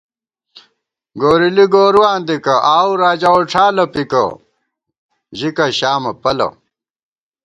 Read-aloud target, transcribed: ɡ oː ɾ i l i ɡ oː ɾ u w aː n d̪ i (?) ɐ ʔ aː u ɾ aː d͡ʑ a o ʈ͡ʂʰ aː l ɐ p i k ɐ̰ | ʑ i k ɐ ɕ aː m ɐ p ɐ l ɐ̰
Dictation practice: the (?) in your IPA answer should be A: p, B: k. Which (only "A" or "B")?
B